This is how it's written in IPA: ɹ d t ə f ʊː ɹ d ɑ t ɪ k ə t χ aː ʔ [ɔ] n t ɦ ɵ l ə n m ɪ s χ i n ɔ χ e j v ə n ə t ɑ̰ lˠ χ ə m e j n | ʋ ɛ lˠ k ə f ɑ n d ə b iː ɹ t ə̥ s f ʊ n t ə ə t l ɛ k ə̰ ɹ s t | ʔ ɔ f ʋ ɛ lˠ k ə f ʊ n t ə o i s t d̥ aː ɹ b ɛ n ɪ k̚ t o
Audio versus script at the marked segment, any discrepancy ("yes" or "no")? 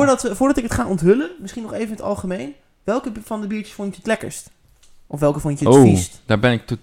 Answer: no